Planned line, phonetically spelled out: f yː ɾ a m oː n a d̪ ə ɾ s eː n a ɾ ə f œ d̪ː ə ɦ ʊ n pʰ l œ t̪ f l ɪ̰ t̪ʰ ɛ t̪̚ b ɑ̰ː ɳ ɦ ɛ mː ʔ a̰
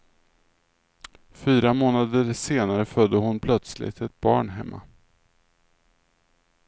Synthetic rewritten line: f yː ɾ a m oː n a d̪ ə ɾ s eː n a ɾ ə f œ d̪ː ə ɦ ʊ n pʰ l œ t̪ s l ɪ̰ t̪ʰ ɛ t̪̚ b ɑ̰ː ɳ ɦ ɛ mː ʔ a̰